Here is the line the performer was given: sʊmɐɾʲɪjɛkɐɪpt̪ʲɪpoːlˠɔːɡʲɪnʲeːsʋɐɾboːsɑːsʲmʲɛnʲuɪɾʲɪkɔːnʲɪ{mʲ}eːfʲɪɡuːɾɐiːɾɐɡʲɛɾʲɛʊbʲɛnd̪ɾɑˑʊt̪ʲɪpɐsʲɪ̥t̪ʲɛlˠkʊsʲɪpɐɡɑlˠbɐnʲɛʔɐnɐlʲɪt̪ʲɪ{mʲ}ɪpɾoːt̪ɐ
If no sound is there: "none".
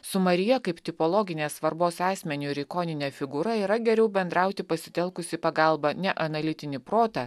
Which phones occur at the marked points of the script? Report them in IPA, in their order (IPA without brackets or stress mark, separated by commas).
nʲ, nʲ